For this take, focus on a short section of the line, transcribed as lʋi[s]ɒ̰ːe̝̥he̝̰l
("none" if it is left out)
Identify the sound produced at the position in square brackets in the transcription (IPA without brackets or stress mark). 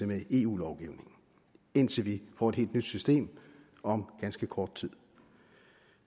f